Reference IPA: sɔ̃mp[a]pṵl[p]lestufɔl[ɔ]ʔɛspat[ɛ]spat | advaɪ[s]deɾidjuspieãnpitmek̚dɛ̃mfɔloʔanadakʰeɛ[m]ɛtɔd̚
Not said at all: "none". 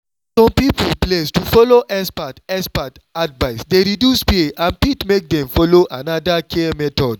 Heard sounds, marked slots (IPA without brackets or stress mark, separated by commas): i, p, o, ɛ, s, m